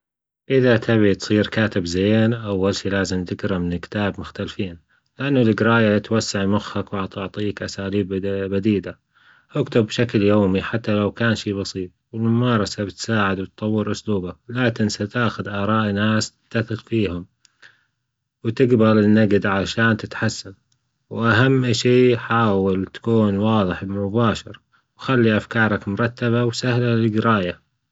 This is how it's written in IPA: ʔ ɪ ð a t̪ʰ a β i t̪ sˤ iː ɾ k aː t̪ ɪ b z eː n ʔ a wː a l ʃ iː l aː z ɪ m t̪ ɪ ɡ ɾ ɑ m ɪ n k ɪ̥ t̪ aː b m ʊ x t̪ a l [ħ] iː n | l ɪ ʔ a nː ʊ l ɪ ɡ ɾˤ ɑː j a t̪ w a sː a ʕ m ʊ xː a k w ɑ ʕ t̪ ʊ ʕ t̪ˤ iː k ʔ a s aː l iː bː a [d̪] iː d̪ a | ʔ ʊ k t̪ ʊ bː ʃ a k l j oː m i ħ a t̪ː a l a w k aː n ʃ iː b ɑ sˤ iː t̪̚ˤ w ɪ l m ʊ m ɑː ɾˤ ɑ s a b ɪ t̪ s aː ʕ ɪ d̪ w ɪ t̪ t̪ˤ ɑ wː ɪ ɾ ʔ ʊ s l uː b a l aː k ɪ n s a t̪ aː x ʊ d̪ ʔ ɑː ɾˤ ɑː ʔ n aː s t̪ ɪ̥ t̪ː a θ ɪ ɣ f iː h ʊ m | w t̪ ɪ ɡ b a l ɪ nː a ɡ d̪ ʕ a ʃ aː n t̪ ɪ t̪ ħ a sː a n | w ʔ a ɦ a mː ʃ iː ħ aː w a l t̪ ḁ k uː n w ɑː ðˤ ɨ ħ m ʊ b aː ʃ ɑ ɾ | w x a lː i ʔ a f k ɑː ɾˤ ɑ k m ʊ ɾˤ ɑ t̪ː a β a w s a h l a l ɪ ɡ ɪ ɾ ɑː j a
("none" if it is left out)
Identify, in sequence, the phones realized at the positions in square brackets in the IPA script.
f, d̪

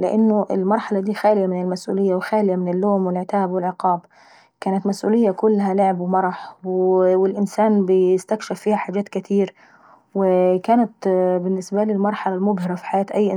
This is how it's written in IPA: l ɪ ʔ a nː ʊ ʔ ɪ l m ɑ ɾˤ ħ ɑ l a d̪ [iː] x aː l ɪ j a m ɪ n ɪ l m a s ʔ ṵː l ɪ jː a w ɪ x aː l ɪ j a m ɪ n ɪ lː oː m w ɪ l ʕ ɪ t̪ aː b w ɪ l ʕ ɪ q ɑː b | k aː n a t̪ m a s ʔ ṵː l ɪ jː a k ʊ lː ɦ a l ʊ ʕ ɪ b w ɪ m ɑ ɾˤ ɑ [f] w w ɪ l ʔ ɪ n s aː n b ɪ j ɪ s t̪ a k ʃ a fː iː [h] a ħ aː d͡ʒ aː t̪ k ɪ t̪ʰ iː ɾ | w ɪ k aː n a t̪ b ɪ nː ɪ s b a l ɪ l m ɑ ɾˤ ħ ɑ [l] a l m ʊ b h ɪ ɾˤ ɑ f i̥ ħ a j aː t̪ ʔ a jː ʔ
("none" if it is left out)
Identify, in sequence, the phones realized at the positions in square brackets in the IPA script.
iː, ħ, h, l

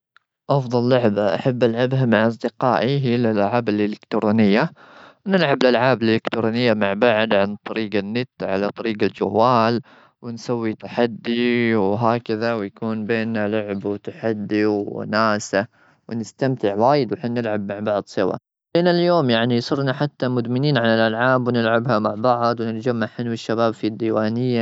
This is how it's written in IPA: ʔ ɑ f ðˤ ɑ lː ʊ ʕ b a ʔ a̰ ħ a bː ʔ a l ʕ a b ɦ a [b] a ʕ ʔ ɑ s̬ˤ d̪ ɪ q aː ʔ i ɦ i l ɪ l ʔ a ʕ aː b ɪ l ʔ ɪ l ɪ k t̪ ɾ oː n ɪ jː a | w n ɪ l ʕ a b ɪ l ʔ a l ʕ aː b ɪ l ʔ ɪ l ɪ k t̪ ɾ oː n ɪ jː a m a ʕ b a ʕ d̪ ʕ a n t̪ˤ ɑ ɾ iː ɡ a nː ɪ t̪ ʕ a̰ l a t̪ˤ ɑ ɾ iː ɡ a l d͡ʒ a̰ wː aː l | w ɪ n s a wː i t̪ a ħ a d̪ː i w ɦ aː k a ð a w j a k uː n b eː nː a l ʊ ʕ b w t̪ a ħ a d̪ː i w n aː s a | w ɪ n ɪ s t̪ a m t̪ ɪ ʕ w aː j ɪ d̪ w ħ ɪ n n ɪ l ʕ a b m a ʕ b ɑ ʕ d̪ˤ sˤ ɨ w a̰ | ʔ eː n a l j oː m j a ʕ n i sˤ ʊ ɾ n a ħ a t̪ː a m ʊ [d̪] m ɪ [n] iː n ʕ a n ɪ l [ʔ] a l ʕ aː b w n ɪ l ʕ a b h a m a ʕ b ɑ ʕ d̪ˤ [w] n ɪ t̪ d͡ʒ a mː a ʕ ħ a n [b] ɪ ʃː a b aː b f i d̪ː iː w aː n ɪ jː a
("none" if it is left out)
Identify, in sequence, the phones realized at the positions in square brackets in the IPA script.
m, d̪, n, ʔ, w, w

